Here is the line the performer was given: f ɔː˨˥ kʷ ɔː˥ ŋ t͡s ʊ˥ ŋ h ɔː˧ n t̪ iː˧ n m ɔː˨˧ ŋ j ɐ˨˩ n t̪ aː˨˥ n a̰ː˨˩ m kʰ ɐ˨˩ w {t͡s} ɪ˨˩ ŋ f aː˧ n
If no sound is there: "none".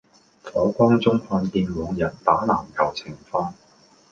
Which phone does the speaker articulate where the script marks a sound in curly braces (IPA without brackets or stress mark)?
t͡sʰ